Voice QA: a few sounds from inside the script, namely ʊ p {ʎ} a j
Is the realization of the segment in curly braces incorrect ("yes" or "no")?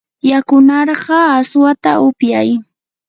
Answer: yes